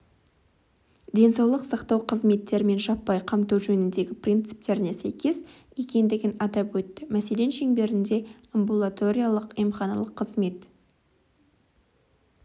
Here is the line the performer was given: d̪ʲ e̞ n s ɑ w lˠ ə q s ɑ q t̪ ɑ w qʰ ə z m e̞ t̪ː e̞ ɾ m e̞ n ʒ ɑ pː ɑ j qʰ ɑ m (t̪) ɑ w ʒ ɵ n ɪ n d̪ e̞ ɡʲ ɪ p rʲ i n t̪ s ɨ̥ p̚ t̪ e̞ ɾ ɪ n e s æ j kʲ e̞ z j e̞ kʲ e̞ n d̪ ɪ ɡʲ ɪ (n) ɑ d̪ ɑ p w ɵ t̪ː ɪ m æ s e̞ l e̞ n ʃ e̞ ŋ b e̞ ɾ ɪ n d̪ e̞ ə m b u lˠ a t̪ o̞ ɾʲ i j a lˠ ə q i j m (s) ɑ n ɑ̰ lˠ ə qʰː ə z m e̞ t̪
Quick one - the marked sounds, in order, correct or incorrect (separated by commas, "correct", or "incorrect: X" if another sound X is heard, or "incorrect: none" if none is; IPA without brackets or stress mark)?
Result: correct, correct, incorrect: χ